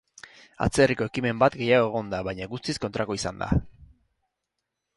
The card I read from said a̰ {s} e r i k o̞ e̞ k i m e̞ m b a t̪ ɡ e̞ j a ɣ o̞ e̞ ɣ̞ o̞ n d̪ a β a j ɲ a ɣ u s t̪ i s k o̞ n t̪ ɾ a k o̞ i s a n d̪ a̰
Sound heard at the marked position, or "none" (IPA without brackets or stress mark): t͡s